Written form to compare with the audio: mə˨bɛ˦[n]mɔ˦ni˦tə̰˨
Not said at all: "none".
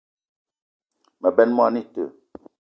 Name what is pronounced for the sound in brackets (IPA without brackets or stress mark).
n